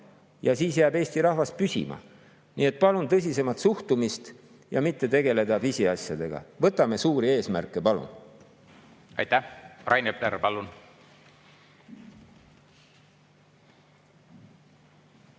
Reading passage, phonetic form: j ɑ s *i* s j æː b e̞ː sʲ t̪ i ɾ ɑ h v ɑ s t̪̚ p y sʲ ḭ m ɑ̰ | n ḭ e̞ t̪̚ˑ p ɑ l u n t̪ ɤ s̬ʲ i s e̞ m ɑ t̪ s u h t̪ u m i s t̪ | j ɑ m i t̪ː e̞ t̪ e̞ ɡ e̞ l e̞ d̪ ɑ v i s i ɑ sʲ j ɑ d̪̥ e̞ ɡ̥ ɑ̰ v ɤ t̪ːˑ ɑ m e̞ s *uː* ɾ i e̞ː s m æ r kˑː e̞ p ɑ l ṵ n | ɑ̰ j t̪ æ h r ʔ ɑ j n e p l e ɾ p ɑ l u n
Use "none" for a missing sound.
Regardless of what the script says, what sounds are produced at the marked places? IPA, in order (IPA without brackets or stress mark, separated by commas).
iː, uː